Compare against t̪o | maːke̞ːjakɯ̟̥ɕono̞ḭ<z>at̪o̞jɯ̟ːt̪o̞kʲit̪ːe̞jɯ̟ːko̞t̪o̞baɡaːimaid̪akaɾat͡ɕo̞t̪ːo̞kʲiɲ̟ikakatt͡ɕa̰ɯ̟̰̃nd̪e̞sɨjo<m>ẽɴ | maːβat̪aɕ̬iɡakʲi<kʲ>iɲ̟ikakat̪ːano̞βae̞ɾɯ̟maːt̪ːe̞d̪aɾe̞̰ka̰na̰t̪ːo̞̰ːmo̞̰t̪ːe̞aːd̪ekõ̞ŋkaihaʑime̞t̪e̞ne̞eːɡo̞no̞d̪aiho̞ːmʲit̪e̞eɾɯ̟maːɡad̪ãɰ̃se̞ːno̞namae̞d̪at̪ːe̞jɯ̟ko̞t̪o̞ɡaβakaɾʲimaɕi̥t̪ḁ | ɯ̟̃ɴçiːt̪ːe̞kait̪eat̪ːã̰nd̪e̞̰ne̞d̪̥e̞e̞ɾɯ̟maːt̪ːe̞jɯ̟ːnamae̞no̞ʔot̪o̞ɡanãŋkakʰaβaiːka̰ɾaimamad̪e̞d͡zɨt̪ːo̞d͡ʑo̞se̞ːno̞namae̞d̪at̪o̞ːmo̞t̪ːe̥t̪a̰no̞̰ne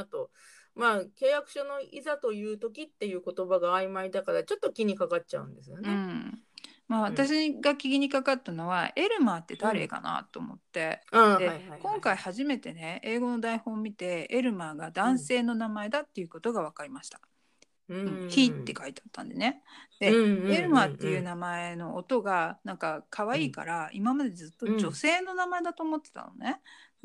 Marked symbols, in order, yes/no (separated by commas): yes, no, no